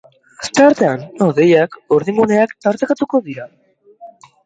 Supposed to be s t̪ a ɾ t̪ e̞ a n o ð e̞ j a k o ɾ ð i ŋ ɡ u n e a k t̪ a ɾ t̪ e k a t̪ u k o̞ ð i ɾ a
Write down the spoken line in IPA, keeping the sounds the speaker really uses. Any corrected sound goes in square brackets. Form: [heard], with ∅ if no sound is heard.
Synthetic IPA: s t̪ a ɾ t̪ e̞ a n o ð e̞ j a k o ɾ ð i ŋ ɡ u n e a k t̪ a ɾ t̪ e k a t̪ u k o̞ ð i ɾ a